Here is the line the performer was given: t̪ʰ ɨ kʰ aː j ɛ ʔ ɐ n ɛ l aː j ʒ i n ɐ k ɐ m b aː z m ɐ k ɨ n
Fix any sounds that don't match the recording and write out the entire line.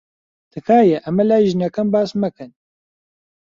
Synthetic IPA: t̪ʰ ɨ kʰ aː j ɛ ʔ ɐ m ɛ l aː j ʒ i n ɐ k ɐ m b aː s m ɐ k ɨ n